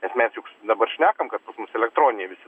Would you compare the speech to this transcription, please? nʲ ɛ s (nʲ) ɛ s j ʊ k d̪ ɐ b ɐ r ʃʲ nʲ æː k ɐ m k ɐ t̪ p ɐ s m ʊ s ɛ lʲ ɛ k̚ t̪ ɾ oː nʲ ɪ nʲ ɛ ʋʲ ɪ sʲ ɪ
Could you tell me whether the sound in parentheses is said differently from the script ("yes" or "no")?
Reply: yes